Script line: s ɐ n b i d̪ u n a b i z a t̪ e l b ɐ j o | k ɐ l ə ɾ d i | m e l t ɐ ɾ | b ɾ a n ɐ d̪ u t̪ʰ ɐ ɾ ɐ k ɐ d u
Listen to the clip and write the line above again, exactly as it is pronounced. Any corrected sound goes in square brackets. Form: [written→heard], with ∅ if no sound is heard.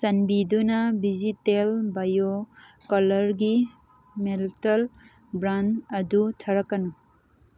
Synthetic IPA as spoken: s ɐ n b i d̪ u n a b i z [a→i] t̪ e l b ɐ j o | k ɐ l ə ɾ [d→ɡ] i | m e l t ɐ [ɾ→l] | b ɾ a n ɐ d̪ u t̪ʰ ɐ ɾ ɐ k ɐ [d→n] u